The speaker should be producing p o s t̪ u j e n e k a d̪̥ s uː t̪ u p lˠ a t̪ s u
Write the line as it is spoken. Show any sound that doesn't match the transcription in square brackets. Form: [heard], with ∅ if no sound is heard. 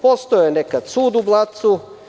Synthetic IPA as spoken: p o s t̪ [o] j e n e k a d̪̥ s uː [d̪] u [b] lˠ a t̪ s u